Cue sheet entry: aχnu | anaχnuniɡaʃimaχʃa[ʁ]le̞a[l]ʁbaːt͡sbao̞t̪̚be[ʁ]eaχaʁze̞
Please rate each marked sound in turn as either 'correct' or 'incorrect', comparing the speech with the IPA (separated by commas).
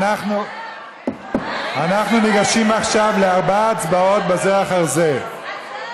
incorrect, incorrect, incorrect